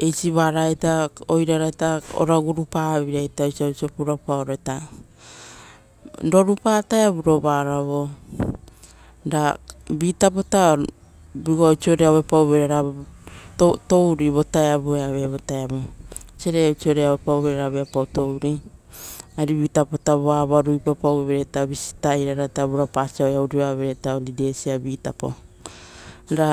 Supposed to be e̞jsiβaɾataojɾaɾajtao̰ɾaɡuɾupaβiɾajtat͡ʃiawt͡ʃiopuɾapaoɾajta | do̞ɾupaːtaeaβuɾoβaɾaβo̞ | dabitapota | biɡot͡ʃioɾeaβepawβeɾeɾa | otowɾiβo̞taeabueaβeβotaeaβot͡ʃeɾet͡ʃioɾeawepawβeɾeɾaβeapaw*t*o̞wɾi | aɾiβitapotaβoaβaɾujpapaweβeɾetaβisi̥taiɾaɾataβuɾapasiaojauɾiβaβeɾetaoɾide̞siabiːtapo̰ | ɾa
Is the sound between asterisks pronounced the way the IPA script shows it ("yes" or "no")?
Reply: yes